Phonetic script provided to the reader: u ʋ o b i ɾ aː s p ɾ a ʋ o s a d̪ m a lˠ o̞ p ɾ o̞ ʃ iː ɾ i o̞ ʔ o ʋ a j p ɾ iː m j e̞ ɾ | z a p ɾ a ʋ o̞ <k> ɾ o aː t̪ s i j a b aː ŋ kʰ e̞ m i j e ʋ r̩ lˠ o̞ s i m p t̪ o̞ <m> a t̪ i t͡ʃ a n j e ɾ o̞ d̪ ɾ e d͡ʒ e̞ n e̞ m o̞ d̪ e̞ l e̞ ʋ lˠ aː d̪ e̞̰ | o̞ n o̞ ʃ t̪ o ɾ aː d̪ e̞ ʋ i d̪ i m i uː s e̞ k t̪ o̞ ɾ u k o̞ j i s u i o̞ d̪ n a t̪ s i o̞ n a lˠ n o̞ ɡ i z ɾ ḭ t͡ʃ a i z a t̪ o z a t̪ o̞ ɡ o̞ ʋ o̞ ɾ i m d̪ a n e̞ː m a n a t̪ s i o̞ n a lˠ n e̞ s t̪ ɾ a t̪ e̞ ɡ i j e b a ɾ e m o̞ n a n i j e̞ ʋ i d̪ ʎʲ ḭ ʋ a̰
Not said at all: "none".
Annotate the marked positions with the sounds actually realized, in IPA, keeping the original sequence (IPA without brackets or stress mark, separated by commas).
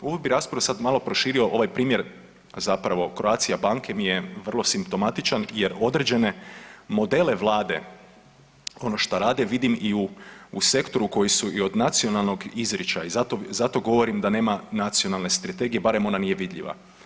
k, m